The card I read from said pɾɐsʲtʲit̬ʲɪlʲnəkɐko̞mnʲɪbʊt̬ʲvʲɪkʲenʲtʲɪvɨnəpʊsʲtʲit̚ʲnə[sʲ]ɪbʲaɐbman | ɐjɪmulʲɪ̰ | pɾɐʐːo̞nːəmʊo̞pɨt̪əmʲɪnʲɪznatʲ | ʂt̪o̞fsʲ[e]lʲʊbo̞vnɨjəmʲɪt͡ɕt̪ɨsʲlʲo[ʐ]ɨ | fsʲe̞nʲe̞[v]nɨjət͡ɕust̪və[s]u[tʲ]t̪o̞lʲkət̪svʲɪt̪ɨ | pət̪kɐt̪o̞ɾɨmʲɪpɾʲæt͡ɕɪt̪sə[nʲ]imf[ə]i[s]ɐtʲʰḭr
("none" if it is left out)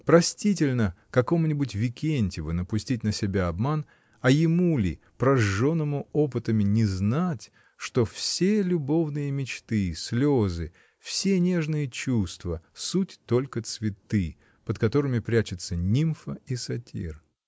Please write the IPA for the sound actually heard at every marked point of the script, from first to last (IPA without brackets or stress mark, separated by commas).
sʲ, e, z, ʐ, s, tʲ, nʲ, ə, s